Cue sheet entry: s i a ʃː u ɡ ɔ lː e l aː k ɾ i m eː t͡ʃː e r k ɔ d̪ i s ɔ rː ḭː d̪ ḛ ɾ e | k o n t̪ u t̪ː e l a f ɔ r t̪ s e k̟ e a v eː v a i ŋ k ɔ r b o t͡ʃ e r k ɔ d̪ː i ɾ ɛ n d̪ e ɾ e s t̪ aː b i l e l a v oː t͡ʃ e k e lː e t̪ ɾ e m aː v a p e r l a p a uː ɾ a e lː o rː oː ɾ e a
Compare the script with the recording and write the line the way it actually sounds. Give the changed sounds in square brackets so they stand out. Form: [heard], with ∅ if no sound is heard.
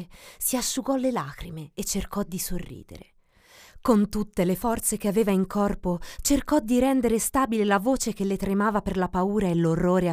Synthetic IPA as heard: s i a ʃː u ɡ ɔ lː e l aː k ɾ i m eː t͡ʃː e r k ɔ d̪ i s [o] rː ḭː d̪ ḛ ɾ e | k o n t̪ u t̪ː e l [e] f ɔ r t̪ s e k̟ e a v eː v a i ŋ k ɔ r [p] o t͡ʃ e r k ɔ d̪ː i ɾ ɛ n d̪ e ɾ e s t̪ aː b i l e l a v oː t͡ʃ e k e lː e t̪ ɾ e m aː v a p e r l a p a uː ɾ a e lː o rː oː ɾ e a